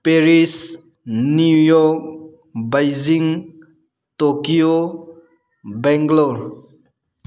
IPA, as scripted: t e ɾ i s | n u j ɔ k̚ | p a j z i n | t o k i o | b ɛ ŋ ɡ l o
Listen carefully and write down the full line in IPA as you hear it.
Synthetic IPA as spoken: p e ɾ i s | n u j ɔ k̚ | b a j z i ŋ | t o k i o | b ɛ ŋ ɡ l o